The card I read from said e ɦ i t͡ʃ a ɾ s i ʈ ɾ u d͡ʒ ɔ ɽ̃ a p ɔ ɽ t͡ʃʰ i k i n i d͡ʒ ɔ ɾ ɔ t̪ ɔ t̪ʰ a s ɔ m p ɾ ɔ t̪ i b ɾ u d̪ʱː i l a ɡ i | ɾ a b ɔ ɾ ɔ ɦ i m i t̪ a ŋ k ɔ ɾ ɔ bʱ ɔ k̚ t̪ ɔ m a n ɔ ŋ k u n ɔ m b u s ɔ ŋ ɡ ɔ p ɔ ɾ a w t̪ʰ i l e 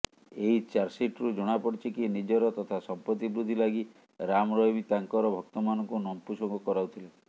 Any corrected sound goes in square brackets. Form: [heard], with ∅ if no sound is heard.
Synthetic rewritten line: e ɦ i t͡ʃ a ɾ s i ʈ ɾ u d͡ʒ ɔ ɽ̃ a p ɔ ɽ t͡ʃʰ i k i n i d͡ʒ ɔ ɾ ɔ t̪ ɔ t̪ʰ a s ɔ m p ɾ ɔ t̪ i b ɾ u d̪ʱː i l a ɡ i | ɾ a [m] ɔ ɾ ɔ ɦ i m i t̪ a ŋ k ɔ ɾ ɔ bʱ ɔ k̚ t̪ ɔ m a n ɔ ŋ k u n ɔ m [p] u s ɔ ŋ ɡ ɔ [k] ɔ ɾ a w t̪ʰ i l e